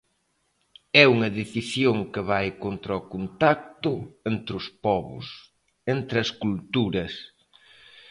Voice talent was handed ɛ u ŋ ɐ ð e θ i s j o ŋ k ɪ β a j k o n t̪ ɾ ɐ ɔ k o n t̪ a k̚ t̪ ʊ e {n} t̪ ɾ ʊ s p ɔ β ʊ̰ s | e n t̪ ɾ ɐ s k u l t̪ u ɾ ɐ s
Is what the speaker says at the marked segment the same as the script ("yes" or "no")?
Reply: yes